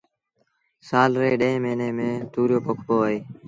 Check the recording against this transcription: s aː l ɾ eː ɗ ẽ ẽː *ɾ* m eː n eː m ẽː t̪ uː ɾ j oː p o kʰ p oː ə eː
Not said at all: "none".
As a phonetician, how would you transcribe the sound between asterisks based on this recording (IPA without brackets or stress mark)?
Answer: none